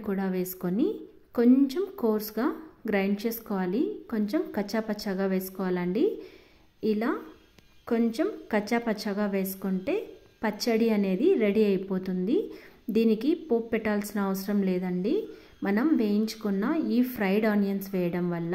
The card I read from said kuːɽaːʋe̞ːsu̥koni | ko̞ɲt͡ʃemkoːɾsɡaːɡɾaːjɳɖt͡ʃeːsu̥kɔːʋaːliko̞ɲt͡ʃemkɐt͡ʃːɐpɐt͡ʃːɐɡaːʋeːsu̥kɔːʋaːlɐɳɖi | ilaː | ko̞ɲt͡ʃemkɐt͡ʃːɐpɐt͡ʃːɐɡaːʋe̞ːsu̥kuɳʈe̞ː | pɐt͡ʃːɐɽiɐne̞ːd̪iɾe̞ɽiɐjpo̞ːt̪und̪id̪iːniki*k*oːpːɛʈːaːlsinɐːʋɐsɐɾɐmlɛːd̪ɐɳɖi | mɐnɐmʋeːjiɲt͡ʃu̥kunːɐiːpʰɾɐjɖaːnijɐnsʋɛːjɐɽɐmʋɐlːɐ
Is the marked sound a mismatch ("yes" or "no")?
yes